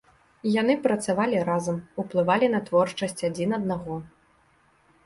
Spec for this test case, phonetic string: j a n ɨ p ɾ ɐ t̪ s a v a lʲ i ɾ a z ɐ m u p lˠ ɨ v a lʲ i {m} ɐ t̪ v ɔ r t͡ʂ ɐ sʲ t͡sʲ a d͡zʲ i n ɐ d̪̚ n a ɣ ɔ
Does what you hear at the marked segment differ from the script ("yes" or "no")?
yes